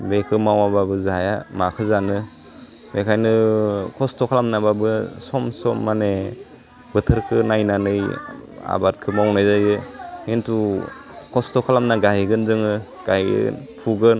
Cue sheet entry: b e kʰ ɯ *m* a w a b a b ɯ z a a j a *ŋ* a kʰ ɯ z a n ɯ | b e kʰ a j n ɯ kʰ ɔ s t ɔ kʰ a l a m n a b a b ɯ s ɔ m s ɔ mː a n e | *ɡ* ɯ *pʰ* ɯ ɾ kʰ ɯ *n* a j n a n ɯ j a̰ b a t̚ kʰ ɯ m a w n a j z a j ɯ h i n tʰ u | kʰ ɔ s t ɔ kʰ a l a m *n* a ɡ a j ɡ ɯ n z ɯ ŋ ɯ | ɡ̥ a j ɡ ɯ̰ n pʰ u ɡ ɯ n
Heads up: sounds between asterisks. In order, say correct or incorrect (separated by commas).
correct, incorrect, incorrect, incorrect, correct, correct